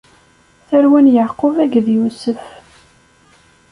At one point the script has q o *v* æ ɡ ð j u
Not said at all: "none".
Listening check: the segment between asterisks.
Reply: v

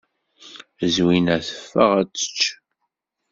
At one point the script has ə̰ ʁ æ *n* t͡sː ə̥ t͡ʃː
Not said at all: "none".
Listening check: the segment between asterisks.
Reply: none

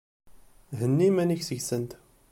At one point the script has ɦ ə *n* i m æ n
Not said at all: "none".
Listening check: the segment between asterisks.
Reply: nː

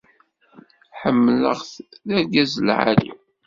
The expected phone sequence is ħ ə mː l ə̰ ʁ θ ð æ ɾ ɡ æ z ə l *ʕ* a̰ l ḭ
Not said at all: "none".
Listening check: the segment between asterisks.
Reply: ʕ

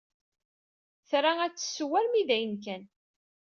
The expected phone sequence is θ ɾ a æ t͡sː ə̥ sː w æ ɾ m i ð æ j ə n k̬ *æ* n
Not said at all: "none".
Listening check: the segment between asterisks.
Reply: æ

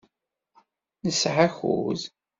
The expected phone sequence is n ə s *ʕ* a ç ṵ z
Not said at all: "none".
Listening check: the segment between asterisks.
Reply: ʕ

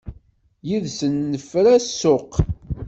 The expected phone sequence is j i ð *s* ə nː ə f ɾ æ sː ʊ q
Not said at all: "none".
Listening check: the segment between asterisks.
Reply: s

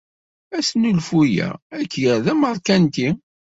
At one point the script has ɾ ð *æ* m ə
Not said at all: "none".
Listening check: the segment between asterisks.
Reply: æ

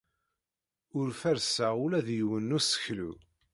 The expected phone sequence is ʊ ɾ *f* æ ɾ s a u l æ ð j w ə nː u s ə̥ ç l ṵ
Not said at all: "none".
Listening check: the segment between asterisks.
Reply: f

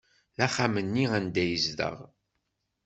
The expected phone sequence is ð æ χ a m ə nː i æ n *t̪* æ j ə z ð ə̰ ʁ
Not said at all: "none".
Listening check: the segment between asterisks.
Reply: d̪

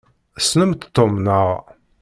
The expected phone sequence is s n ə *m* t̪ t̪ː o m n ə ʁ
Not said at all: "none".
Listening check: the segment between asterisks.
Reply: m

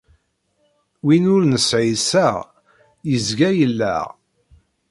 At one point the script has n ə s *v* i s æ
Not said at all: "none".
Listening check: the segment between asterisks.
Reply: ʕ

